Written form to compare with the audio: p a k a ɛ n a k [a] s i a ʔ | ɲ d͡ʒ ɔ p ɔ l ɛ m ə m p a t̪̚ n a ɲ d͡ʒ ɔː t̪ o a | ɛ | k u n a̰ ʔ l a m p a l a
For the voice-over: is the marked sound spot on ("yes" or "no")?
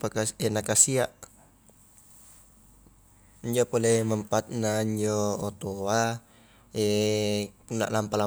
yes